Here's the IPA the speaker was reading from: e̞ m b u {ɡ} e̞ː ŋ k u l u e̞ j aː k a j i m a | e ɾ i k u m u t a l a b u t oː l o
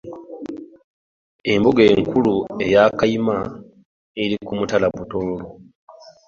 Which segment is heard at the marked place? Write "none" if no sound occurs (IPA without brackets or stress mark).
ɡ